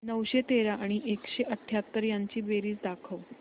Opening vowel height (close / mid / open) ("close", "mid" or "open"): mid